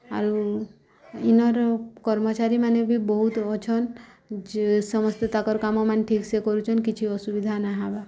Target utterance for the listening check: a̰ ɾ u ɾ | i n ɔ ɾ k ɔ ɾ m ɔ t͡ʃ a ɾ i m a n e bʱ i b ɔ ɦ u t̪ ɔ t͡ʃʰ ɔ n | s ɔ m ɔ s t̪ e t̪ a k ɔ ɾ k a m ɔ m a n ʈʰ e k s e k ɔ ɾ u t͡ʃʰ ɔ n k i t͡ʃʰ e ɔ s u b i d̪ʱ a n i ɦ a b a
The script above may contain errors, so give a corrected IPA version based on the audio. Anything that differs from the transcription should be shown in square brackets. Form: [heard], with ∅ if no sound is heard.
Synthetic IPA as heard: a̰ ɾ u [∅] | i n ɔ ɾ k ɔ ɾ m ɔ t͡ʃ a ɾ i m a n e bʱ i b ɔ ɦ u t̪ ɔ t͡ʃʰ ɔ n | s ɔ m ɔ s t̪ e t̪ a k ɔ ɾ k a m ɔ m a n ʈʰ [i] k s e k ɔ ɾ u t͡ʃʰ ɔ n k i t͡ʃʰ [i] ɔ s u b i d̪ʱ a n [a] ɦ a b a